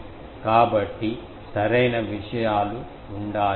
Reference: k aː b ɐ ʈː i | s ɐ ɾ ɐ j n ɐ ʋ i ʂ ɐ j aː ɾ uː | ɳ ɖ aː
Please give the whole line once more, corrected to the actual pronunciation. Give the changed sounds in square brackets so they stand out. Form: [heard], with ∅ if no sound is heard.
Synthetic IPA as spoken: k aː b ɐ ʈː i | s ɐ ɾ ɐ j n ɐ ʋ i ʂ ɐ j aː [l] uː | ɳ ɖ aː